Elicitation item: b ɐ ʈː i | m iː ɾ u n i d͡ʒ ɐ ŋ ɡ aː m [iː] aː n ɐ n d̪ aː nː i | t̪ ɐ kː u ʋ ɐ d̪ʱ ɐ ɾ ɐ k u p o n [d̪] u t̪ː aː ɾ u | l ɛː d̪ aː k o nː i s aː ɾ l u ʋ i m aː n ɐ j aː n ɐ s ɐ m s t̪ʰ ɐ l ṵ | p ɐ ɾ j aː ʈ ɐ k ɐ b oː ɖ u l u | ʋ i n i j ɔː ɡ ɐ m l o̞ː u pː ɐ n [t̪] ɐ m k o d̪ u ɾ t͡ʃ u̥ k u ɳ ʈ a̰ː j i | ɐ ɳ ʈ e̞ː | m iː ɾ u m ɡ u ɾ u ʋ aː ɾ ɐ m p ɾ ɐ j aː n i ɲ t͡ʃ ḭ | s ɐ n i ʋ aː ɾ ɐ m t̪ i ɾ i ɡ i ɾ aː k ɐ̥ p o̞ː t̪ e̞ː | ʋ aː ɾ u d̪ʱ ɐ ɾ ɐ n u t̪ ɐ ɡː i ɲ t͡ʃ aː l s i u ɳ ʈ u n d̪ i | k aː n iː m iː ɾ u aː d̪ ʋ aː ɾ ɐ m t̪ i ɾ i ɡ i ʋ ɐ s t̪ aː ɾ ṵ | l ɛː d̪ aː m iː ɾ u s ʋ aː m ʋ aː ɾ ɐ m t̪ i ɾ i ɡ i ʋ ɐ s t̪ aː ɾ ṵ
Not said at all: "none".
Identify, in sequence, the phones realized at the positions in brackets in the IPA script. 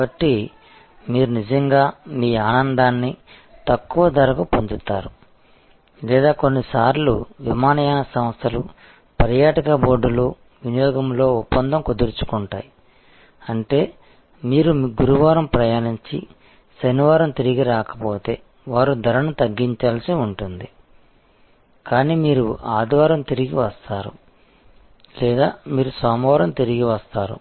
iː, d̪, d̪

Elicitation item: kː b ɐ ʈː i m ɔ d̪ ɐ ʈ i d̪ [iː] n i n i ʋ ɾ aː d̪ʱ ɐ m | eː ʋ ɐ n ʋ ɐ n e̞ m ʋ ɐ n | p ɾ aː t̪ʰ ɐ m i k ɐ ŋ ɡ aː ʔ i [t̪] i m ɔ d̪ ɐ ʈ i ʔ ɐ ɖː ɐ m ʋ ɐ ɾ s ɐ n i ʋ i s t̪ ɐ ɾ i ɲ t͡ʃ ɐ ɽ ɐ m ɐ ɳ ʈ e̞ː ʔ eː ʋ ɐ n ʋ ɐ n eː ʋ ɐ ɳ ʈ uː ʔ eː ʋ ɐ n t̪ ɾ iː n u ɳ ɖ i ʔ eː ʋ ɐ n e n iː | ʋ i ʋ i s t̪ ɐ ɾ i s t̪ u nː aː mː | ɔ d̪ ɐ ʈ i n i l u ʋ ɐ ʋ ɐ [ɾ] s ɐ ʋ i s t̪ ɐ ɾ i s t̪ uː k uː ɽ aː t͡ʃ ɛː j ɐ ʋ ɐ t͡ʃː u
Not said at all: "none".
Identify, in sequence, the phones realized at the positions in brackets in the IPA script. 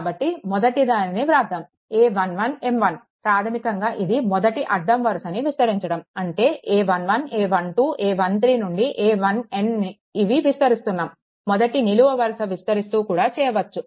aː, d̪, ɾ

